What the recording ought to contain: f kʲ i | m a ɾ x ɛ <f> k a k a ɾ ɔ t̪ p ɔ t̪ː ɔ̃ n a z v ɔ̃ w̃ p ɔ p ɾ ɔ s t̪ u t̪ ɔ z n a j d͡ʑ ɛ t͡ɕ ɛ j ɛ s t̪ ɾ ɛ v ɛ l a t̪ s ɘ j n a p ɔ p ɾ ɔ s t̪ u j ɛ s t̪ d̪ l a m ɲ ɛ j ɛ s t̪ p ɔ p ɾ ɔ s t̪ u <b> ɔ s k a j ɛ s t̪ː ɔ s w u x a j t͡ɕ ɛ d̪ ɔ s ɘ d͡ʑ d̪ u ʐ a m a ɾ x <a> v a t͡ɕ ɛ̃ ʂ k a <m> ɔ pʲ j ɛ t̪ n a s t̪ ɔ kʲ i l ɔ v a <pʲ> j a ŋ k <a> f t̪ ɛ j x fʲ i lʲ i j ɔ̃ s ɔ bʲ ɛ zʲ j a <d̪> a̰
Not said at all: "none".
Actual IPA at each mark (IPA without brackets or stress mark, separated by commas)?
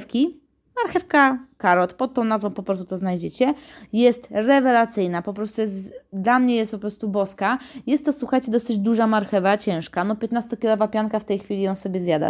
f, b, ɛ, n, pʲ, a, d̪